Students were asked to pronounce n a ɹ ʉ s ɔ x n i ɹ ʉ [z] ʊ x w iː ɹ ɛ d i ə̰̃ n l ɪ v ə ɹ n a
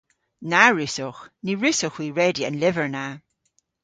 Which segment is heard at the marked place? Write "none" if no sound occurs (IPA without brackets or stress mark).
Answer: s